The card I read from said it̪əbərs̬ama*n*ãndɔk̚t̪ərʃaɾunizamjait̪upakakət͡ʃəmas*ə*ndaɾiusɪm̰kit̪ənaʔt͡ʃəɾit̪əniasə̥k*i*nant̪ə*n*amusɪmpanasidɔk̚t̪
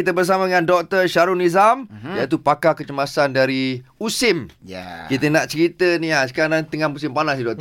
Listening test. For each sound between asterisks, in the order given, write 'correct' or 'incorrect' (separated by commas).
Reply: incorrect, incorrect, incorrect, incorrect